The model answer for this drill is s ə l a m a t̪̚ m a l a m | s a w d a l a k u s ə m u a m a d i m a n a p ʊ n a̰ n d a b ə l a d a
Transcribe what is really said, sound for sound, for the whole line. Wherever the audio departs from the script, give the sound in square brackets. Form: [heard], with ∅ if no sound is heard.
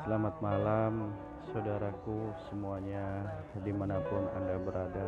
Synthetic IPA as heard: s ə l a m a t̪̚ m a l a m | s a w d a [ɾ] a k u s ə m u a [ɲ] a d i m a n a p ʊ n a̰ n d a b ə [ɾ] a d a